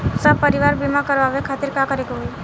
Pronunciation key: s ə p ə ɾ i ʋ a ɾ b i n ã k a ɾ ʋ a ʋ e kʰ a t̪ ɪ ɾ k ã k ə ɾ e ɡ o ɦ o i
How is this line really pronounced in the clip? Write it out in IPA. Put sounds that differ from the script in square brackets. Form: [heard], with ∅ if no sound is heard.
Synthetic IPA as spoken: s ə p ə ɾ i ʋ a ɾ b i [m] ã k [ə] ɾ ʋ a ʋ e kʰ a t̪ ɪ ɾ k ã k ə ɾ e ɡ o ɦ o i